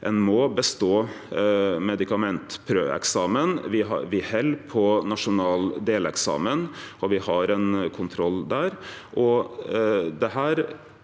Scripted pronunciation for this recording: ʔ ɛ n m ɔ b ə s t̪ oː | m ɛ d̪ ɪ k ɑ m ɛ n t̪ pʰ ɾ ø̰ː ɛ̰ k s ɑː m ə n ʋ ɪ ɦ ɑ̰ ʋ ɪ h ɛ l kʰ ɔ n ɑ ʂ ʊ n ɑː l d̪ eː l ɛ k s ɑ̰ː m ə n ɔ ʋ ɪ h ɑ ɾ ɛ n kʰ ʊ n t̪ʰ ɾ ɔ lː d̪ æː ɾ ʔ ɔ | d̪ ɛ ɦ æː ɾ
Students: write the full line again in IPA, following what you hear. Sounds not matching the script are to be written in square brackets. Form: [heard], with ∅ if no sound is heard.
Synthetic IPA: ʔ ɛ n m ɔ b ə s t̪ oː | m ɛ d̪ ɪ k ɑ m ɛ n t̪ pʰ ɾ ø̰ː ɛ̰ k s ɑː m ə n ʋ ɪ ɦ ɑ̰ ʋ ɪ h ɛ l [pʰ] ɔ n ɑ ʂ ʊ n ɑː l d̪ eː l ɛ k s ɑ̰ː m ə n ɔ ʋ ɪ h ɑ ɾ ɛ n kʰ ʊ n t̪ʰ ɾ ɔ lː d̪ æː ɾ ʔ ɔ | d̪ ɛ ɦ æː ɾ